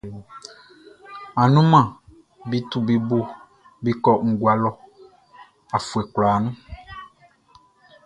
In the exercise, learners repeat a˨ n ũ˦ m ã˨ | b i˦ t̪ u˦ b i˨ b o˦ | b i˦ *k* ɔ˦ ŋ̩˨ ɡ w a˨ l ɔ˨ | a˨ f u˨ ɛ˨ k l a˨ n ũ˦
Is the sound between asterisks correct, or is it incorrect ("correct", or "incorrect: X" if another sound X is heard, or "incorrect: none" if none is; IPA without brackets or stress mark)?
correct